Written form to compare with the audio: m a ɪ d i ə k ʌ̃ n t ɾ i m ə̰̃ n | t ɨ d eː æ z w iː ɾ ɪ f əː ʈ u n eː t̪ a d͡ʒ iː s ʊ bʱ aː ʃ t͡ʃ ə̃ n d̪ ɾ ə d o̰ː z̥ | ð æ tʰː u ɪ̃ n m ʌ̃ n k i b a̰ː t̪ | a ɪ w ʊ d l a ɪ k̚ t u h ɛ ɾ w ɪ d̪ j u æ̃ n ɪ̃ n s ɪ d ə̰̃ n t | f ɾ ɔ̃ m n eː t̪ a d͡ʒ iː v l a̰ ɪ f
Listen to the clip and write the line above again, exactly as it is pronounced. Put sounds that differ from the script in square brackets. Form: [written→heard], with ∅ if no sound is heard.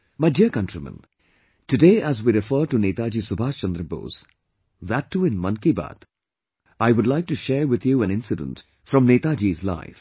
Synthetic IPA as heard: m a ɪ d i ə k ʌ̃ n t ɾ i m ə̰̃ n | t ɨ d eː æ z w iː ɾ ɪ f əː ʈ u n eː t̪ a d͡ʒ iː s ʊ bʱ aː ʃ t͡ʃ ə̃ n d̪ ɾ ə [d→b] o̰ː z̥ | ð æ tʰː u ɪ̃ n m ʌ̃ n k i b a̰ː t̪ | a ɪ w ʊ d l a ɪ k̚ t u [h→ʃ] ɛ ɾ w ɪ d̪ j u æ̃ n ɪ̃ n s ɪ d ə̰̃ n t | f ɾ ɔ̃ m n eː t̪ a d͡ʒ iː [v→z] l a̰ ɪ f